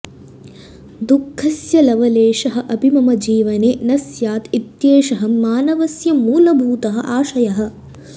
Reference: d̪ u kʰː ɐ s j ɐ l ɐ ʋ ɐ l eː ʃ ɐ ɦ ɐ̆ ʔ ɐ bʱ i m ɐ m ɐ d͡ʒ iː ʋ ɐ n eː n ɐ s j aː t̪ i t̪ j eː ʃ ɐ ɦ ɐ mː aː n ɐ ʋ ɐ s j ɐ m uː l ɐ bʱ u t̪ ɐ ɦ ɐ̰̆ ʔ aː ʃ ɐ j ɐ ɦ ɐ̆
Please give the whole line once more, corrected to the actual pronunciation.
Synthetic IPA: d̪ u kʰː ɐ s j ɐ l ɐ ʋ ɐ l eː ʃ ɐ ɦ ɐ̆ ʔ ɐ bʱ i m ɐ m ɐ d͡ʒ iː ʋ ɐ n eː n ɐ s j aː t̪ i t̪ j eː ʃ ɐ ɦ ɐ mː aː n ɐ ʋ ɐ s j ɐ m uː l ɐ bʱ uː t̪ ɐ ɦ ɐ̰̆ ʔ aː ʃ ɐ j ɐ ɦ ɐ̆

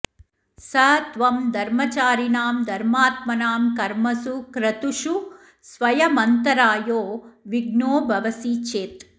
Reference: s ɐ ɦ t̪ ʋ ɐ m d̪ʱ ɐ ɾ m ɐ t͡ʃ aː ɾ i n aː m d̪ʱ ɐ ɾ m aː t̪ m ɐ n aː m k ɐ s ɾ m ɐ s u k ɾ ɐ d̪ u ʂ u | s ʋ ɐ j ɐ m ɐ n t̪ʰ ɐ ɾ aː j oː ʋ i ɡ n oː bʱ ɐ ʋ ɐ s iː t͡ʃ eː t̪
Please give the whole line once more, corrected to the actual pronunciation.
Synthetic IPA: s ɐ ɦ t̪ ʋ ɐ m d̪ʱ ɐ ɾ m ɐ t͡ʃ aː ɾ i n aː m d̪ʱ ɐ ɾ m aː t̪ m ɐ n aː m k ɐ ɾ m ɐ s u k ɾ ɐ t̪ u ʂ u | s ʋ ɐ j ɐ m ɐ n t̪ ɐ ɾ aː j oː ʋ i ɡ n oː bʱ ɐ ʋ ɐ s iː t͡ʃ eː t̪

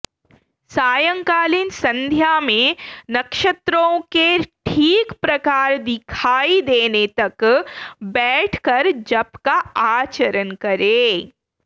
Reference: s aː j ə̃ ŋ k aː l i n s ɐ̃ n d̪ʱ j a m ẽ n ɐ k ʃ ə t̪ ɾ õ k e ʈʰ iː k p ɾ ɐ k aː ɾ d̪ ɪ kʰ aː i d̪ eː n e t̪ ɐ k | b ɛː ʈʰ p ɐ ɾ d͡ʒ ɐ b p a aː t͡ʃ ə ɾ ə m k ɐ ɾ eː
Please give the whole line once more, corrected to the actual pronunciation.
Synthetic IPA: s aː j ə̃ ŋ k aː l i n s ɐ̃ n d̪ʱ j a m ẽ n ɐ k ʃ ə t̪ ɾ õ k e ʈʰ iː k p ɾ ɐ k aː ɾ d̪ ɪ kʰ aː i d̪ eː n e t̪ ɐ k | b ɛː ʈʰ k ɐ ɾ d͡ʒ ɐ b k a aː t͡ʃ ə ɾ ə n k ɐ ɾ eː

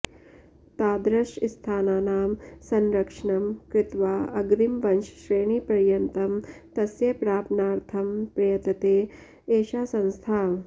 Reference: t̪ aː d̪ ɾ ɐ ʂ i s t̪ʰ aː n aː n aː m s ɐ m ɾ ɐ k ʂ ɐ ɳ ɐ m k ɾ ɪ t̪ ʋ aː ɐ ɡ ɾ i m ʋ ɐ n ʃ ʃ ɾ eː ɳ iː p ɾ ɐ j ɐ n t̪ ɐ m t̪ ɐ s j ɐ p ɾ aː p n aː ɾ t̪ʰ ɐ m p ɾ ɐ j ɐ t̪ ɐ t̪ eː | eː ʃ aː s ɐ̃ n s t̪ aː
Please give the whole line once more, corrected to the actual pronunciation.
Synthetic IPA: t̪ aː d̪ ɾ ɐ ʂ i s t̪ʰ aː n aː n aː m s ɐ n ɾ ɐ k ʂ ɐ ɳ ɐ m k ɾ ɪ t̪ ʋ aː ɐ ɡ ɾ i m ʋ ɐ n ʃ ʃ ɾ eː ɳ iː p ɾ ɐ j ɐ n t̪ ɐ m t̪ ɐ s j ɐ p ɾ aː p n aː ɾ t̪ʰ ɐ m p ɾ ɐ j ɐ t̪ ɐ t̪ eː | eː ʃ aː s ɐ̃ n s t̪ʰ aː

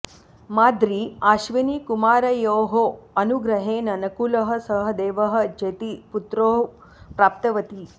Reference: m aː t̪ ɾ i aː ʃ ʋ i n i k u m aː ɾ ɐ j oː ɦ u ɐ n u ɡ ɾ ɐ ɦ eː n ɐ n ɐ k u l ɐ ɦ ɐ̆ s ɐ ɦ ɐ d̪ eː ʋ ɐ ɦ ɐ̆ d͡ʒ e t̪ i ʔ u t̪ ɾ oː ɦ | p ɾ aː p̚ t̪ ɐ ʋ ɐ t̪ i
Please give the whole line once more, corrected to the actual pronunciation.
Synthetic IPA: m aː d̪ ɾ i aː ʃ ʋ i n i k u m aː ɾ ɐ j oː ɦ o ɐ n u ɡ ɾ ɐ ɦ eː n ɐ n ɐ k u l ɐ ɦ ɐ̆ s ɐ ɦ ɐ d̪ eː ʋ ɐ ɦ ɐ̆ d͡ʒ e t̪ i p u t̪ ɾ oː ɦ | p ɾ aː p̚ t̪ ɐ ʋ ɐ t̪ i

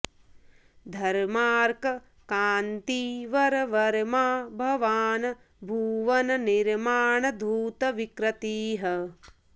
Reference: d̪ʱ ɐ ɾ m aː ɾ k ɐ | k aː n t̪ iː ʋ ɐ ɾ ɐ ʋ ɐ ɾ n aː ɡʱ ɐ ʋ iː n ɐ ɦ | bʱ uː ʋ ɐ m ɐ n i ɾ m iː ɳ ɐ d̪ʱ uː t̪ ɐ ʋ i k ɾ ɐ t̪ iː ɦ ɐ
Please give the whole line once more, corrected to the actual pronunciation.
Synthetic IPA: d̪ʱ ɐ ɾ m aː ɾ k ɐ | k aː n t̪ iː ʋ ɐ ɾ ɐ ʋ ɐ ɾ m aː bʱ ɐ ʋ aː n ɐ | bʱ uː ʋ ɐ n ɐ n i ɾ m aː ɳ ɐ d̪ʱ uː t̪ ɐ ʋ i k ɾ ɐ t̪ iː ɦ ɐ

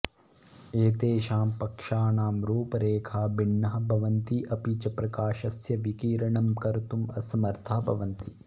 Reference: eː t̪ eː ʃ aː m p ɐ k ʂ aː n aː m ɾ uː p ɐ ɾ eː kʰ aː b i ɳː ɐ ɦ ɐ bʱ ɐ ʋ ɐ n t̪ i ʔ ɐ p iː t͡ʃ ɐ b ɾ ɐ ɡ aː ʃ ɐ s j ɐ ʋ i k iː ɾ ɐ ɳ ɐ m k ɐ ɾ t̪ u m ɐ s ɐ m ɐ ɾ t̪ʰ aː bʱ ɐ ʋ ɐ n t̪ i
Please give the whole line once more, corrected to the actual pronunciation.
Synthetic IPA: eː t̪ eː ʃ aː m p ɐ k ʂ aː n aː m ɾ uː p ɐ ɾ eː kʰ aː b i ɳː ɐ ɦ ɐ bʱ ɐ ʋ ɐ n t̪ i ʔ ɐ p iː t͡ʃ ɐ p ɾ ɐ k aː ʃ ɐ s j ɐ ʋ i k iː ɾ ɐ ɳ ɐ m k ɐ ɾ t̪ u m ɐ s ɐ m ɐ ɾ t̪ʰ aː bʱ ɐ ʋ ɐ n t̪ i

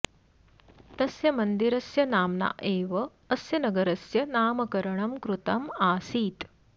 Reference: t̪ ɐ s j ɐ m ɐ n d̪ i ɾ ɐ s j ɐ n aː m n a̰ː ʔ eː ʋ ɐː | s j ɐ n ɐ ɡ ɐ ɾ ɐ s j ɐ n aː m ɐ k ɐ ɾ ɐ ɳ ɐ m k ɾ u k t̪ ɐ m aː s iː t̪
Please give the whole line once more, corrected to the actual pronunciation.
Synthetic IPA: t̪ ɐ s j ɐ m ɐ n d̪ i ɾ ɐ s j ɐ n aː m n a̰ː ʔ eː ʋ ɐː | s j ɐ n ɐ ɡ ɐ ɾ ɐ s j ɐ n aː m ɐ k ɐ ɾ ɐ ɳ ɐ m k ɾ u t̪ ɐ m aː s iː t̪

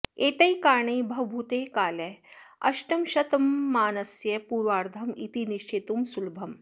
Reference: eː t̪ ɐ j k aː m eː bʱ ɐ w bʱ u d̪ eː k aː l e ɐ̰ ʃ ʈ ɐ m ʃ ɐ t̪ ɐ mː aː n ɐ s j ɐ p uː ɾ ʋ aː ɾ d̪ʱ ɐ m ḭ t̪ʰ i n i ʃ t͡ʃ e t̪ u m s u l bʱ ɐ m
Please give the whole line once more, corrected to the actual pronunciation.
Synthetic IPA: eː t̪ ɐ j k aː ɳ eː bʱ ɐ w bʱ u t̪ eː k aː l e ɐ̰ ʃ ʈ ɐ m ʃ ɐ t̪ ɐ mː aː n ɐ s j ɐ p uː ɾ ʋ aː ɾ d̪ʱ ɐ m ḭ t̪ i n i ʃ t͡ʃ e t̪ u m s u l bʱ ɐ m

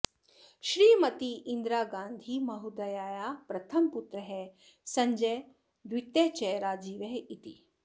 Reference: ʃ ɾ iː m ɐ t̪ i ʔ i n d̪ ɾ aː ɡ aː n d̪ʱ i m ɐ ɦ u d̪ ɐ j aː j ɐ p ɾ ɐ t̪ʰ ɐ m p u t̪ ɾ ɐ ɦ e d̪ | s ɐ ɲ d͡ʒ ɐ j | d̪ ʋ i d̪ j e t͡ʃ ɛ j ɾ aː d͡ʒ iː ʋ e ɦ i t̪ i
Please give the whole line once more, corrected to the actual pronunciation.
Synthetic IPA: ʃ ɾ iː m ɐ t̪ i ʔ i n d̪ ɾ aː ɡ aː n d̪ʱ i m ɐ ɦ u d̪ ɐ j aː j a p ɾ ɐ t̪ʰ ɐ m p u t̪ ɾ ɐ ɦ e | s ɐ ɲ d͡ʒ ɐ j | d̪ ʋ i t̪ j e t͡ʃ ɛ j ɾ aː d͡ʒ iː ʋ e ɦ i t̪ i

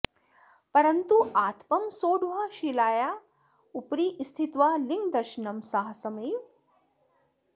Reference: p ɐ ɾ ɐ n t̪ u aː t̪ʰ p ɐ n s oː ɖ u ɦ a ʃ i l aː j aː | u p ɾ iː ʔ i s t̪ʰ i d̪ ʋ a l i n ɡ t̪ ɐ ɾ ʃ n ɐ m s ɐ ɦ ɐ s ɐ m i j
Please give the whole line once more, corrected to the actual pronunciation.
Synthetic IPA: p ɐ ɾ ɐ n t̪ u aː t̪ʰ p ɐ m s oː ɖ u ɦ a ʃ i l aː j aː | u p ɾ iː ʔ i s t̪ʰ i t̪ ʋ a l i ŋ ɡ d̪ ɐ ɾ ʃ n ɐ m s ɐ ɦ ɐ s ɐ m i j

